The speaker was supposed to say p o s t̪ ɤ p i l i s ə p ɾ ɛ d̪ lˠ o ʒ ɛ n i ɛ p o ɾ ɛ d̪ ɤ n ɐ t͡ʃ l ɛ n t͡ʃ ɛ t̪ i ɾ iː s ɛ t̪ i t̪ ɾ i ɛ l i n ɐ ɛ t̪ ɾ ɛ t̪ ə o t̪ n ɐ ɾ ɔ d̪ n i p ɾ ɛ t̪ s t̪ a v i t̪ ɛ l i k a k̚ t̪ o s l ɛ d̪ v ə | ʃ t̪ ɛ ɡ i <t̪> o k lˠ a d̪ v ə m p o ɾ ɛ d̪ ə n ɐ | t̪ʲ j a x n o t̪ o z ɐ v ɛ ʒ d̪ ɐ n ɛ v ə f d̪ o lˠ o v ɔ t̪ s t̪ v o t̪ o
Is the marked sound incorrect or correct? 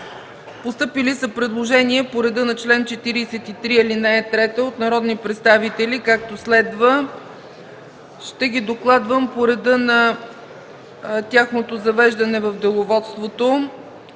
incorrect